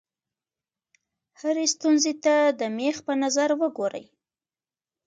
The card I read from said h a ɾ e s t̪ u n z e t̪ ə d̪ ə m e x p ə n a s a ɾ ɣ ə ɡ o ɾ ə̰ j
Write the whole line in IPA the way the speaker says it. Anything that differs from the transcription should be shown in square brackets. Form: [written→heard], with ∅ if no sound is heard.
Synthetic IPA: h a ɾ e s t̪ u n z e t̪ [ə→a] d̪ ə m e x p ə n a [s→z] a ɾ [ɣ→w] ə ɡ o ɾ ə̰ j